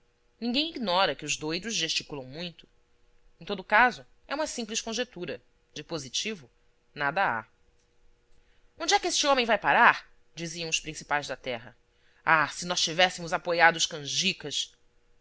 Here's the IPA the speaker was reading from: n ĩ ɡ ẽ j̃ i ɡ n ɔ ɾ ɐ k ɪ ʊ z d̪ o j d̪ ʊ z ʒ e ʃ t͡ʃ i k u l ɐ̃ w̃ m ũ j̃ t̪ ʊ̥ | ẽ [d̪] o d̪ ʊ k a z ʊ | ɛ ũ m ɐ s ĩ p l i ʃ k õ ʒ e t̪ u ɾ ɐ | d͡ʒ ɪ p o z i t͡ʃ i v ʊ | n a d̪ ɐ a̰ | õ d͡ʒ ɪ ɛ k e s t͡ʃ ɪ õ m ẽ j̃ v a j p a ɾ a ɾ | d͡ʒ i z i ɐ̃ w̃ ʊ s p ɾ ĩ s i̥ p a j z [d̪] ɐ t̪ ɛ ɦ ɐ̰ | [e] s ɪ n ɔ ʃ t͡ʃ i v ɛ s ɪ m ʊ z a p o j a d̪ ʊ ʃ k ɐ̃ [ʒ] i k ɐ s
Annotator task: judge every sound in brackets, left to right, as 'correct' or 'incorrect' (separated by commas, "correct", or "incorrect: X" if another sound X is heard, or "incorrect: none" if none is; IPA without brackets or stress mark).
incorrect: t̪, correct, incorrect: a, correct